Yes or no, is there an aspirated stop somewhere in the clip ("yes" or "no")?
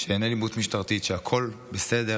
yes